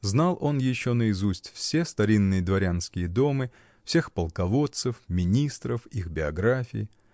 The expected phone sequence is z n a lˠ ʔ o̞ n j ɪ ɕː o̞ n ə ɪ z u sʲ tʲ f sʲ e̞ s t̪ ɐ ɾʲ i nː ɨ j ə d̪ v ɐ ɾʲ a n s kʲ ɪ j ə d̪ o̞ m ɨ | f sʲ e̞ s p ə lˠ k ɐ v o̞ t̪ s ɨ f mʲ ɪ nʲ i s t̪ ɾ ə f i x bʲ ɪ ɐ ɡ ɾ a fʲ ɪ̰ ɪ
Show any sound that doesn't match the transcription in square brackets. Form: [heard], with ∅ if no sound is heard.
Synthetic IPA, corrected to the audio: z n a lˠ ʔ o̞ n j ɪ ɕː o̞ n ə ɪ z u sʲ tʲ f sʲ e̞ s t̪ ɐ ɾʲ i nː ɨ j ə d̪ v ɐ ɾʲ a n s kʲ ɪ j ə d̪ o̞ m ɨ | f sʲ e̞ [x] p ə lˠ k ɐ v o̞ t̪ s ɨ f mʲ ɪ nʲ i s t̪ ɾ ə f i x bʲ ɪ ɐ ɡ ɾ a fʲ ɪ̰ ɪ